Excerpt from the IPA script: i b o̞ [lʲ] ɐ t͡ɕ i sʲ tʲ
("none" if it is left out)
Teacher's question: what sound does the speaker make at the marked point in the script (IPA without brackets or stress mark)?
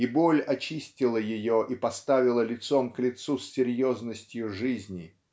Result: lʲ